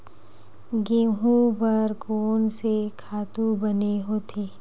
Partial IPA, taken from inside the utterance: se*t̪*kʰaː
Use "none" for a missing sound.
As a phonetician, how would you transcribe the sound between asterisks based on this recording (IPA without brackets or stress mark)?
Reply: none